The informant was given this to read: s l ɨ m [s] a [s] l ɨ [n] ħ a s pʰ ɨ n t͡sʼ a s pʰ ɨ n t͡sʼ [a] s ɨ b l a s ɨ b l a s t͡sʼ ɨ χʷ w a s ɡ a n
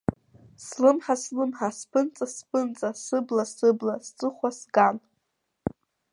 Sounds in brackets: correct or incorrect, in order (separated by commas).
incorrect, correct, incorrect, correct